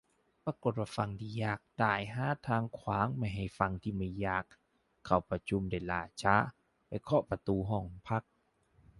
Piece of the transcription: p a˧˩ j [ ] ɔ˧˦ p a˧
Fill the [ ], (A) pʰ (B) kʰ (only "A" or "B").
B